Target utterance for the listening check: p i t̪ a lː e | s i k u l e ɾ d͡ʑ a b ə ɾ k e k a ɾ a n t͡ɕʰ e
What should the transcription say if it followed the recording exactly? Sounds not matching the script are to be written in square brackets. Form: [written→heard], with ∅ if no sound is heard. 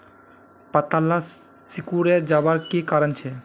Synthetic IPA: p [i→a] t̪ a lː [e→a] | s i k u [l→ɾ] e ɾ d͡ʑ a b [ə→a] ɾ k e k a ɾ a n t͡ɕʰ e